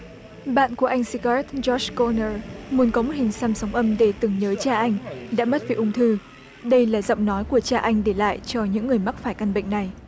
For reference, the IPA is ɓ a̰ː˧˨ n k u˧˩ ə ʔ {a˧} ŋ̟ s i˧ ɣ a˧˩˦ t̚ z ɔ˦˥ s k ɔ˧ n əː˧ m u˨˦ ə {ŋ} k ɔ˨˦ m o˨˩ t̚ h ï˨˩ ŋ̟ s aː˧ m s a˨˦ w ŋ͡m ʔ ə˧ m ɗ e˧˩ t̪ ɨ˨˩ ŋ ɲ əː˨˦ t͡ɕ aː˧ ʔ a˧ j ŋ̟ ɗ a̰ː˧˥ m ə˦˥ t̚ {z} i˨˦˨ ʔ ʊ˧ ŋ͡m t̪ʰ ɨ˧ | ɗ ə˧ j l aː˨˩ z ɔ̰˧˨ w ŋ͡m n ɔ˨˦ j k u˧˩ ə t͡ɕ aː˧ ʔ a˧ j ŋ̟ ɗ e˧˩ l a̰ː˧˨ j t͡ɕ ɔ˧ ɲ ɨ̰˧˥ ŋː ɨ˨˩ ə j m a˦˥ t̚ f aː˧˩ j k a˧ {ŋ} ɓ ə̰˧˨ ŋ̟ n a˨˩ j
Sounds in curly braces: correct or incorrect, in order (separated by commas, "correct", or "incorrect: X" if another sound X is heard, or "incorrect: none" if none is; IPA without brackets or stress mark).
correct, incorrect: n, incorrect: v, incorrect: n